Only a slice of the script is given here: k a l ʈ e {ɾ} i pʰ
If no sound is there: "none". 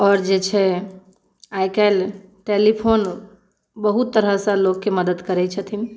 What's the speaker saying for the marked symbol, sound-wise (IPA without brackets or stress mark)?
l